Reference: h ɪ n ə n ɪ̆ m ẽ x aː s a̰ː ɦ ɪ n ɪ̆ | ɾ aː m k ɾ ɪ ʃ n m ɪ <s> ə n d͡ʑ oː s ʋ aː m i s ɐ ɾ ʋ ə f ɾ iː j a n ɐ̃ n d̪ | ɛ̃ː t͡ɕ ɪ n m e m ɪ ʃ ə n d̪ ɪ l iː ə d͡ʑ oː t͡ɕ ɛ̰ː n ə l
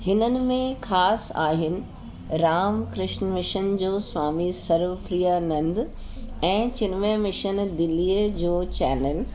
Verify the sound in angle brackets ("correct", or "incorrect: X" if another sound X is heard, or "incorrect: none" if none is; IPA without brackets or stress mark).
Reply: incorrect: ʃ